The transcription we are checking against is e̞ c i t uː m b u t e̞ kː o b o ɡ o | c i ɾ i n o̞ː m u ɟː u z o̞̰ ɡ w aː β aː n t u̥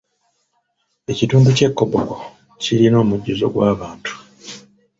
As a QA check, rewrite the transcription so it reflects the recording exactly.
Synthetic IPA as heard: e̞ c i t uː m b u c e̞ kː o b o k o | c i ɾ i n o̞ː m u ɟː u z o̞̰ ɡ w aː β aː n t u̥